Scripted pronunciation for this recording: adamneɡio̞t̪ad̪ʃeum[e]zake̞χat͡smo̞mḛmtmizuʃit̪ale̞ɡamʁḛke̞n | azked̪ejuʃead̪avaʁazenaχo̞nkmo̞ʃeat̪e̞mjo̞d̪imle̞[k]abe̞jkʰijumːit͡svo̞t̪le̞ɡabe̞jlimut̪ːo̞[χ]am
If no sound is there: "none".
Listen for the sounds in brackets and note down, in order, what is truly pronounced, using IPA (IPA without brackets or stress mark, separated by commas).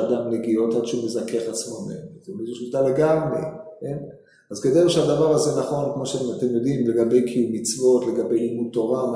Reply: e, ɡ, ʁ